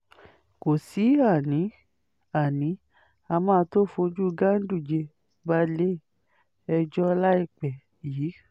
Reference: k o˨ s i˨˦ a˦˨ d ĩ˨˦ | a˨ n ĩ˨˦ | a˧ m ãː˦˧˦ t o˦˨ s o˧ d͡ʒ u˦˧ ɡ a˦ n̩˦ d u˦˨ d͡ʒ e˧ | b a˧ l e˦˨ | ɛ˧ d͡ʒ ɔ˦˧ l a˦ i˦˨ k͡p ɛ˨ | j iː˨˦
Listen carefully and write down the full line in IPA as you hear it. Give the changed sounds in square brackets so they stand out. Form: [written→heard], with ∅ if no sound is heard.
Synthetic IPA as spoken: k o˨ s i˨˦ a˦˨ [d→n] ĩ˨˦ | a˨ n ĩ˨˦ | a˧ m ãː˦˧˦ t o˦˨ [s→f] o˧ d͡ʒ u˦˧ ɡ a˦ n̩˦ d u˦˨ d͡ʒ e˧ | b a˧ l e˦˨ | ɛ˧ d͡ʒ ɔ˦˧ l a˦ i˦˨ k͡p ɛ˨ | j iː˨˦

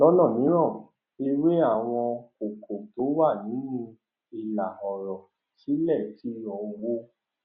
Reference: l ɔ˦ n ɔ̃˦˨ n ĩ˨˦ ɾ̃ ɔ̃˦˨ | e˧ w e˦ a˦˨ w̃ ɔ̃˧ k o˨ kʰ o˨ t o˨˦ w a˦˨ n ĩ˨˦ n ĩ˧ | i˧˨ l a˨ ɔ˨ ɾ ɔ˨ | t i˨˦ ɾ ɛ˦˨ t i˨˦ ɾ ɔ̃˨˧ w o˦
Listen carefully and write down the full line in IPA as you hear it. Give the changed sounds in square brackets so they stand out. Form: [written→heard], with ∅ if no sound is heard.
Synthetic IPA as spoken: l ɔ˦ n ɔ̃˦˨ n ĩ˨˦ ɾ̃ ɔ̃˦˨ | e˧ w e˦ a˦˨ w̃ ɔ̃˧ k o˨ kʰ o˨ t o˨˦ w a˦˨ n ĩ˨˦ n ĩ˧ | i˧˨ l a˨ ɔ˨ ɾ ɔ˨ | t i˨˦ [ɾ→l] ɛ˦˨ t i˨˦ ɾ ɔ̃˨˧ w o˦

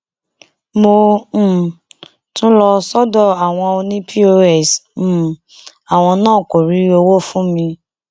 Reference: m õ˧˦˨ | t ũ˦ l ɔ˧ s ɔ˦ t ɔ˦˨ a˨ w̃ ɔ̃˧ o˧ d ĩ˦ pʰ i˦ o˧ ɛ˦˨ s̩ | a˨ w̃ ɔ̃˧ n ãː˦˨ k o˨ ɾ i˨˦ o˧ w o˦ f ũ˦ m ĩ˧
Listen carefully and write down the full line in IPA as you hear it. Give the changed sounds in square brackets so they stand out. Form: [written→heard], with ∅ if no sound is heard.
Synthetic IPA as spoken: m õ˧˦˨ | t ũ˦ l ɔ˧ s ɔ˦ [t→d] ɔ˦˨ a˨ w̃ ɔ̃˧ o˧ [d→n] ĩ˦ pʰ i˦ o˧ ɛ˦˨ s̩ | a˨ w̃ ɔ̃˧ n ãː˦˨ k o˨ ɾ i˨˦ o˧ w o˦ f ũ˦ m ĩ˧

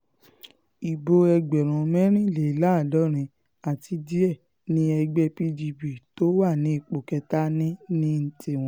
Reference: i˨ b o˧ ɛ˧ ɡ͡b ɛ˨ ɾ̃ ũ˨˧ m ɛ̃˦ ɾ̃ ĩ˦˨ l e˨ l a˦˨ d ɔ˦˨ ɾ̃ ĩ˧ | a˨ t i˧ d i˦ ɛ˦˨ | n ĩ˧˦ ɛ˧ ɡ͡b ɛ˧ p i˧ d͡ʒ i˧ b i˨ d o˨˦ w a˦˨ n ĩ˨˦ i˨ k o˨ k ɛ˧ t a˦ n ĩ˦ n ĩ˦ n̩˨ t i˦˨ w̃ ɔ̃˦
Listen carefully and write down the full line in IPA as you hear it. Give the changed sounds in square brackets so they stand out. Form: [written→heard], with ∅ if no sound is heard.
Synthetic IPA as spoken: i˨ b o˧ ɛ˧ ɡ͡b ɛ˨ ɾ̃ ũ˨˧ m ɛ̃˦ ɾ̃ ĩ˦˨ l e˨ l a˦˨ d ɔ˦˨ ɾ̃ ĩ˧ | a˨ t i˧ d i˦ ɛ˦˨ | n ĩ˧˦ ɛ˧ ɡ͡b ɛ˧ p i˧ d͡ʒ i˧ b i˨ [d→t] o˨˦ w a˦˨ n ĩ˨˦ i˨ [k→k͡p] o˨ k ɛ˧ t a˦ n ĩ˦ n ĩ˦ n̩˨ t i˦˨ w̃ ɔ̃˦

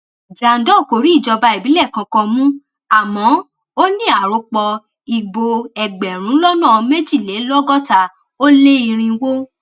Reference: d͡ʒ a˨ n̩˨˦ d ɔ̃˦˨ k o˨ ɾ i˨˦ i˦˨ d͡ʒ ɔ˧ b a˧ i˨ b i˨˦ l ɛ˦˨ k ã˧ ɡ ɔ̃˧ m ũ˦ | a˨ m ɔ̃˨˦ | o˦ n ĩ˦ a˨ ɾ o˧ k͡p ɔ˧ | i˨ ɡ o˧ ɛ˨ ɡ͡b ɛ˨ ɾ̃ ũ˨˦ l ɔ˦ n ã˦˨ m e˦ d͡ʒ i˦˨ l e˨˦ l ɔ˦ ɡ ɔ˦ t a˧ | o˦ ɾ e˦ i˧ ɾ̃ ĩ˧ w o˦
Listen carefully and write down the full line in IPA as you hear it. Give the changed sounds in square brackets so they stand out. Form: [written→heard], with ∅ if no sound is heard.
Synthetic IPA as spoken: d͡ʒ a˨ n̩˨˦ d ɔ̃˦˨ k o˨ ɾ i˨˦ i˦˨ d͡ʒ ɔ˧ b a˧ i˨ b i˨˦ l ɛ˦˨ k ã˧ [ɡ→k] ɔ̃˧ m ũ˦ | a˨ m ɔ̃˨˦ | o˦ n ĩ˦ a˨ ɾ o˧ k͡p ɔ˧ | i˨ [ɡ→ɡ͡b] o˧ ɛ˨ ɡ͡b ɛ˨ ɾ̃ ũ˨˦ l ɔ˦ n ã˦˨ m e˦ d͡ʒ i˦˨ l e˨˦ l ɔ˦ ɡ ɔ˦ t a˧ | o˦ [ɾ→l] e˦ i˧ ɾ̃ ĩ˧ w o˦

